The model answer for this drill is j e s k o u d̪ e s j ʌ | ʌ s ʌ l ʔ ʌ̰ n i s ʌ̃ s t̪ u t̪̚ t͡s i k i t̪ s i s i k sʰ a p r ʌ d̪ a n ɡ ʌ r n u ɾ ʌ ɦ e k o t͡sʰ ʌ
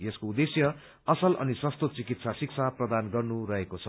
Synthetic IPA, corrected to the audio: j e s k o u d̪ e s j ʌ | ʌ s ʌ l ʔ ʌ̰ n i s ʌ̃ s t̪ o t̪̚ t͡s i k i t̪ s a s i k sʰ a p r ʌ d̪ a n ɡ ʌ r n u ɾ ʌ ɦ e k o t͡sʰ ʌ